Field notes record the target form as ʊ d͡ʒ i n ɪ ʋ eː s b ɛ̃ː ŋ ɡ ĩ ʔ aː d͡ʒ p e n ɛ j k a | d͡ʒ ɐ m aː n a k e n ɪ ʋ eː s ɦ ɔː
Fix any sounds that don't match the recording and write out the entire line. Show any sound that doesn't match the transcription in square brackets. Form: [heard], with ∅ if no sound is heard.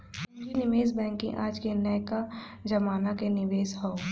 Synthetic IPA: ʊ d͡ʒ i n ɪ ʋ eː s b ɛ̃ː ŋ [k] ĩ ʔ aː d͡ʒ [k] e n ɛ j k a | d͡ʒ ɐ m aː n a k e n ɪ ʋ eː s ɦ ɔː

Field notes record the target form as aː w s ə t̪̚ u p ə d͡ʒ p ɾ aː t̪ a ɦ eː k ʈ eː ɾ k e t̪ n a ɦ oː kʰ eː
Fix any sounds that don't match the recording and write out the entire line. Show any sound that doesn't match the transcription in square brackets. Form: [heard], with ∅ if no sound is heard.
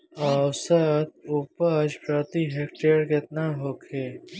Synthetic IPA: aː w s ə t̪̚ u p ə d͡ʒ p ɾ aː t̪ [i] ɦ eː k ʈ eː ɾ k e t̪ n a ɦ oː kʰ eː

